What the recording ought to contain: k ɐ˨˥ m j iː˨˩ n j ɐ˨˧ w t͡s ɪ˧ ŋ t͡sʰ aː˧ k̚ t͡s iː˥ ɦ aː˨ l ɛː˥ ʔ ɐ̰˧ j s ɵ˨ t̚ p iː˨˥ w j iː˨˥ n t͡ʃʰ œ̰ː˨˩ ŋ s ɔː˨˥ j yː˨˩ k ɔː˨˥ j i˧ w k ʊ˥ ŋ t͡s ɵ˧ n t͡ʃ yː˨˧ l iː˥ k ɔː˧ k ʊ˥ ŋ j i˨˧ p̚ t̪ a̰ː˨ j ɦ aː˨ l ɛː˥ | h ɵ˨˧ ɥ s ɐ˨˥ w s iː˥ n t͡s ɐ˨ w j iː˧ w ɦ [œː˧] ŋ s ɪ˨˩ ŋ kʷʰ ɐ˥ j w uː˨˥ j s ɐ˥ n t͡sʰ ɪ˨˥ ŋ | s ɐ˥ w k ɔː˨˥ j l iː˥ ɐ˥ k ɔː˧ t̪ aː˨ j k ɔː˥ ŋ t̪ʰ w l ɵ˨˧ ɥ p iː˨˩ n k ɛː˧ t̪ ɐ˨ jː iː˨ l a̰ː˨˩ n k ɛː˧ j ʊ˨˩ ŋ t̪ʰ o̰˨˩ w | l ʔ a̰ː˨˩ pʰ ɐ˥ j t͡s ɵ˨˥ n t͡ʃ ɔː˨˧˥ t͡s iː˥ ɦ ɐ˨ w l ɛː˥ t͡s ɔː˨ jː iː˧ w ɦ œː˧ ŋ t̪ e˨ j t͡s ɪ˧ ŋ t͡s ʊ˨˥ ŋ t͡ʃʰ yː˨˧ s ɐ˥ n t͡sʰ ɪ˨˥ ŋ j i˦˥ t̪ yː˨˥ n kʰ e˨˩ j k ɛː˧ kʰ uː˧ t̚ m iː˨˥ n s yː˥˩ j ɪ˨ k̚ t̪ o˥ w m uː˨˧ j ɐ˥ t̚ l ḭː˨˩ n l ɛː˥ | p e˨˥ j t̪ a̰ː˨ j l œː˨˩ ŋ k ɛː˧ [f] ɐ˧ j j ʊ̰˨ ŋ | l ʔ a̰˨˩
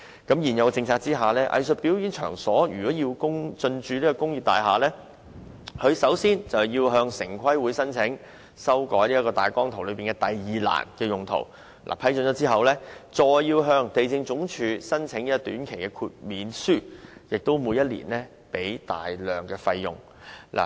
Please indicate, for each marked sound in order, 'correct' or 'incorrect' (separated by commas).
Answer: correct, correct